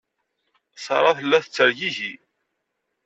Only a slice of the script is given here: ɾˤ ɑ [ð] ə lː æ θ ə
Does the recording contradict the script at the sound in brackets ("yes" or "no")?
yes